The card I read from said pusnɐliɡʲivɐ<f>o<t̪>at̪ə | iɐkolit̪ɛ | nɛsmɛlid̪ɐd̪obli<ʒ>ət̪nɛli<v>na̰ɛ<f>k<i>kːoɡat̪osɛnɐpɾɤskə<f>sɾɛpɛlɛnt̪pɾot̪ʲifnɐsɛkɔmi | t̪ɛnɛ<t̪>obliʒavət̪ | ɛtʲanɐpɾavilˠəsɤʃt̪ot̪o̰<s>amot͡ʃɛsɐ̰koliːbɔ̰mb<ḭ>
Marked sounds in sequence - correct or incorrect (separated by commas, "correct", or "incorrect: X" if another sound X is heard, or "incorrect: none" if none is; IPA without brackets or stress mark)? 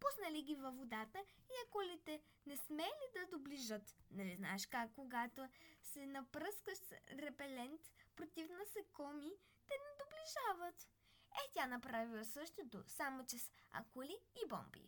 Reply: incorrect: v, incorrect: d̪, correct, incorrect: z, incorrect: ʃ, incorrect: a, incorrect: ʃ, incorrect: d̪, correct, correct